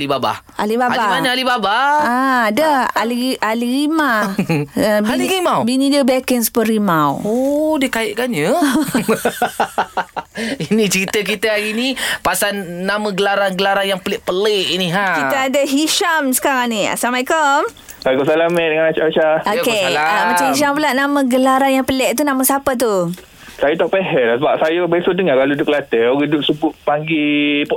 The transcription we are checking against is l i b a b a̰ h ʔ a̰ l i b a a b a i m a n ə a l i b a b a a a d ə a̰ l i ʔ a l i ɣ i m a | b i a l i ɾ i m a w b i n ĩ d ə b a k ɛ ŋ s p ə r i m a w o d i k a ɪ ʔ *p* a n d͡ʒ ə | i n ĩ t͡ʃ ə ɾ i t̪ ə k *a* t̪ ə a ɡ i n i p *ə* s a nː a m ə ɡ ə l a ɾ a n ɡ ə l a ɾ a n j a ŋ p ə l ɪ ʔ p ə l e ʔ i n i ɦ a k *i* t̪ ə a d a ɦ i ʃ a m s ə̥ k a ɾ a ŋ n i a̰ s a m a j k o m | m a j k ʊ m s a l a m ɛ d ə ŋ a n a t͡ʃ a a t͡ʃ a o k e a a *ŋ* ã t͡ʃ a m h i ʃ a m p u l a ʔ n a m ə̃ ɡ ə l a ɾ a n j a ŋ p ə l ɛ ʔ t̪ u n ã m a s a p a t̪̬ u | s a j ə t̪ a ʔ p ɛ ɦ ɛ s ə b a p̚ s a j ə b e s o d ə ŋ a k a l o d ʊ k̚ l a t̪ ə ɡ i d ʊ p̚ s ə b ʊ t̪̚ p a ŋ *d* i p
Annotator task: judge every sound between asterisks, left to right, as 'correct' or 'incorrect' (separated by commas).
incorrect, incorrect, incorrect, correct, incorrect, incorrect